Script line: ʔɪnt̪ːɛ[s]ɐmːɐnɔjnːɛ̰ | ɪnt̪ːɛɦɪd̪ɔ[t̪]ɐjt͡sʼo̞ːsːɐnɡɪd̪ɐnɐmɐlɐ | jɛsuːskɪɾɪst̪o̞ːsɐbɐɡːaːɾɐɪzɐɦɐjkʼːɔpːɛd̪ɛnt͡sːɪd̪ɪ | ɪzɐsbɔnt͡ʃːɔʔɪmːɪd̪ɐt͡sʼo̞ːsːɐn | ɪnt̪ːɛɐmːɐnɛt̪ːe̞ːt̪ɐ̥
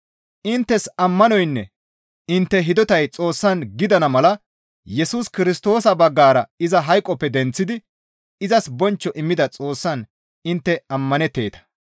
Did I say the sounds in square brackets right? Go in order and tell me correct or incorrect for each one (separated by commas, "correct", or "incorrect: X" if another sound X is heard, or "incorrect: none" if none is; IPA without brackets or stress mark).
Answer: correct, correct